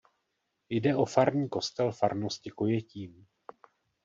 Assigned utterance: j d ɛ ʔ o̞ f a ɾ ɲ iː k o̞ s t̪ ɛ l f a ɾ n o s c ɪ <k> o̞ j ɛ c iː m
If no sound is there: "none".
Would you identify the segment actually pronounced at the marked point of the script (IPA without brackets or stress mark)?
k